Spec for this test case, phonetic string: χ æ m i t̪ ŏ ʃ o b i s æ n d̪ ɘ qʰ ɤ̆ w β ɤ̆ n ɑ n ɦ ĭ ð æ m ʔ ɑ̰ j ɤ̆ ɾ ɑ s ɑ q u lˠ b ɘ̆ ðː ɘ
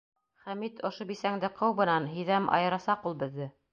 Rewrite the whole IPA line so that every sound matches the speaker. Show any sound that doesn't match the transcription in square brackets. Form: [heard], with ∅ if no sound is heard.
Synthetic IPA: χ æ m i t̪ ŏ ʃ o b i s æ [ŋ] d̪ ɘ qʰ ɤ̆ w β ɤ̆ n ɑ n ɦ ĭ ð æ m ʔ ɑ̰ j ɤ̆ ɾ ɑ s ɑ q u lˠ b ɘ̆ ðː ɘ